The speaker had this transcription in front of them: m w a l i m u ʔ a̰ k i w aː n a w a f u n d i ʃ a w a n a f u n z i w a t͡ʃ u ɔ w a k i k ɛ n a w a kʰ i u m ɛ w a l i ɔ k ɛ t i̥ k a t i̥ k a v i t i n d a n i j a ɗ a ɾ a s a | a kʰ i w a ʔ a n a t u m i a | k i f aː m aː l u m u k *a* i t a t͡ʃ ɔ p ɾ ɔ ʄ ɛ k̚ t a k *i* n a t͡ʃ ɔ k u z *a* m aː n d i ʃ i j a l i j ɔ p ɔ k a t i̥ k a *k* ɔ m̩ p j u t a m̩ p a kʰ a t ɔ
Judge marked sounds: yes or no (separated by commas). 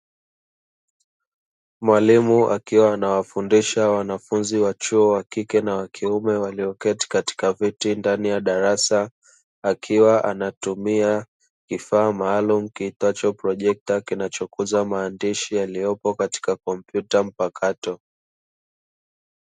no, yes, yes, yes